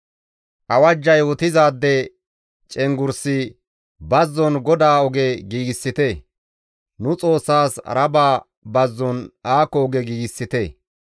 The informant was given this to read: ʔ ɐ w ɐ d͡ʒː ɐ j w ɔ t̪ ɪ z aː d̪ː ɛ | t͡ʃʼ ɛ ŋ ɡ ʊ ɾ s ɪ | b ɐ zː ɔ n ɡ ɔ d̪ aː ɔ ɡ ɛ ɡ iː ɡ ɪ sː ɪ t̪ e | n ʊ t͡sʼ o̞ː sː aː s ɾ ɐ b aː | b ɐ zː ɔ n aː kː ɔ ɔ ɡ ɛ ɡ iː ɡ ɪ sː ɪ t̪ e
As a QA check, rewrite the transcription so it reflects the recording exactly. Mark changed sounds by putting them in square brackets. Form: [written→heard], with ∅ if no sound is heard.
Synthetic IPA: ʔ ɐ w ɐ d͡ʒː ɐ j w ɔ t̪ ɪ z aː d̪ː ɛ | t͡ʃʼ ɛ ŋ ɡ ʊ ɾ s ɪ | b ɐ zː ɔ n ɡ ɔ d̪ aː ɔ ɡ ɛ ɡ iː ɡ ɪ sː ɪ t̪ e | n ʊ t͡sʼ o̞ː sː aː s ɾ ɐ b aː | b ɐ zː ɔ n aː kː ɔ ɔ ɡ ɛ ɡ iː ɡ ɪ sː ɪ t̪ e